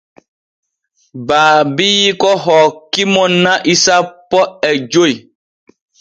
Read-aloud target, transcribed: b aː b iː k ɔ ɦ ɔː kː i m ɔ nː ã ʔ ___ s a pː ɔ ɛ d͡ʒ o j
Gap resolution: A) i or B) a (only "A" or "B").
A